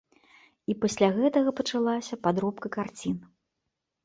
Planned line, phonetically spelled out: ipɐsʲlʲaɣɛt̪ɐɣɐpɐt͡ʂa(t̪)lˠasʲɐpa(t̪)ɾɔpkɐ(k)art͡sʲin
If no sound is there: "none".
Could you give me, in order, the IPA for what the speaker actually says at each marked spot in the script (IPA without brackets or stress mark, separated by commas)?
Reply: none, d̪, k